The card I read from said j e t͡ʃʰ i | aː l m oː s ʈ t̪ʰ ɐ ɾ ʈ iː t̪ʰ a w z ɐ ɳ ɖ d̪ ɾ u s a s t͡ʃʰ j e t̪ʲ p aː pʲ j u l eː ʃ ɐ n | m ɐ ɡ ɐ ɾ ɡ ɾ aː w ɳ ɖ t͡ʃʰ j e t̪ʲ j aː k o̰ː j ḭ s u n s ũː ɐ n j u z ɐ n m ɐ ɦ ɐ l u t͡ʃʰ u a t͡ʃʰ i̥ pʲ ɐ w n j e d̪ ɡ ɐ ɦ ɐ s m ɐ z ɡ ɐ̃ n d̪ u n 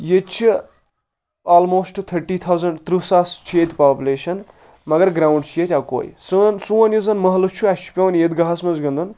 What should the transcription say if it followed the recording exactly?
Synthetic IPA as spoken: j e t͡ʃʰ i | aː l m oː s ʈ t̪ʰ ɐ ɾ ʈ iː t̪ʰ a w z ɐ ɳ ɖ t̪ ɾ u s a s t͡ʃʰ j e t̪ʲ p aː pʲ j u l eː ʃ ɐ n | m ɐ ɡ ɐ ɾ ɡ ɾ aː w ɳ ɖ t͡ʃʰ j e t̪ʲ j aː k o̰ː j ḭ s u n s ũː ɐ n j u z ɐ n m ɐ ɦ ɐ l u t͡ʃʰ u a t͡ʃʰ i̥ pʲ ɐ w n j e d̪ ɡ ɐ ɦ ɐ s m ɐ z ɡ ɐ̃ n d̪ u n